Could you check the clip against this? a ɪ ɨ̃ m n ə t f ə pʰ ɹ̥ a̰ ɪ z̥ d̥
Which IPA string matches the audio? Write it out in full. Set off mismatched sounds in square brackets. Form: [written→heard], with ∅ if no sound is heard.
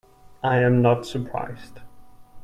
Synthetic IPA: a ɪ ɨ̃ m n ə t [f→s] ə pʰ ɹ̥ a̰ ɪ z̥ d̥